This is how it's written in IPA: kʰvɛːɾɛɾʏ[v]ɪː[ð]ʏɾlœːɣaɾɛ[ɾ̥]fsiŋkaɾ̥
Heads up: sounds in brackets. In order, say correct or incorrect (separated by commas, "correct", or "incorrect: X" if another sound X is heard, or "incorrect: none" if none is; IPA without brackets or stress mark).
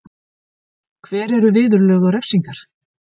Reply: correct, correct, incorrect: none